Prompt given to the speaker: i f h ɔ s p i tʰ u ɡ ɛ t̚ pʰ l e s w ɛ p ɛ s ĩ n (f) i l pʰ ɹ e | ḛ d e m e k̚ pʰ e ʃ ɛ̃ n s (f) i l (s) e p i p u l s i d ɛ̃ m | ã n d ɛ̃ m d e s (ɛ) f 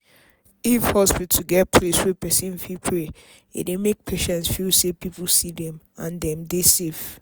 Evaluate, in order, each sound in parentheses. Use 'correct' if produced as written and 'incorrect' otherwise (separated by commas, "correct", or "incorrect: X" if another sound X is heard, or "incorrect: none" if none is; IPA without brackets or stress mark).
correct, correct, correct, incorrect: e